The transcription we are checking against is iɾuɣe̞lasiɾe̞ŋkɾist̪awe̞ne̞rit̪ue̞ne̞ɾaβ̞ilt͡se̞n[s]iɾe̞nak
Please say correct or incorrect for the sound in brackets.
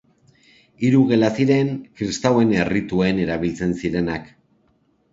correct